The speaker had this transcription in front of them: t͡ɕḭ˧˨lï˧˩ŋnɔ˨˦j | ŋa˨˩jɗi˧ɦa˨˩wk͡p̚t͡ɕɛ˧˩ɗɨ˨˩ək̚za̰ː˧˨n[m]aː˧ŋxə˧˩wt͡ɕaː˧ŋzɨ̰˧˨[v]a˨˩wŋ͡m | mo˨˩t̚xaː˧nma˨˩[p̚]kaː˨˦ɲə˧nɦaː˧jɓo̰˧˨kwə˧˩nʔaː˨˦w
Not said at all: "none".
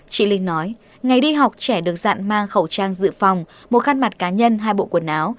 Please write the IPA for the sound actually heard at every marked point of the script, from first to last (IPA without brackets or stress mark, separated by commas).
m, f, t̚